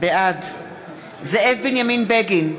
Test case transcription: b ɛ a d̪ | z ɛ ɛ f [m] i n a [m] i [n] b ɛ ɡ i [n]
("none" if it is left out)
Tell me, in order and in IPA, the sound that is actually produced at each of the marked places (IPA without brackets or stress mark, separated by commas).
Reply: b, m, n, n